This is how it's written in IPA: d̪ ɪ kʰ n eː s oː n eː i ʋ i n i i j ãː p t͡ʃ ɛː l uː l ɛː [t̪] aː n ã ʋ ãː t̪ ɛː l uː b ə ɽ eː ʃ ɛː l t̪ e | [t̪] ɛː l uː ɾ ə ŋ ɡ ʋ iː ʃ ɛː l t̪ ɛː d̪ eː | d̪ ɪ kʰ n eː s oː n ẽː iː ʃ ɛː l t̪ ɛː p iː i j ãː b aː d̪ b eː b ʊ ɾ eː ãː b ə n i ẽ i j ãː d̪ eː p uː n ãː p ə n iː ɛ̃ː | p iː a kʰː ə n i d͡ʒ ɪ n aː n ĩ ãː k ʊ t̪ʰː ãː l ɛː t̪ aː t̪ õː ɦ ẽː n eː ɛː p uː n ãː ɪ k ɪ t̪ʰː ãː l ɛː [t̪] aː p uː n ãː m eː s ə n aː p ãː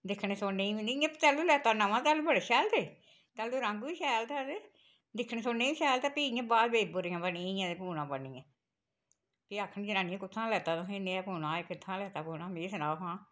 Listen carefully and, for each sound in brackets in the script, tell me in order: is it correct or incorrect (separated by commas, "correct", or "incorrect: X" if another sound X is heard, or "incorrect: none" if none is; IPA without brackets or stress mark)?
correct, correct, correct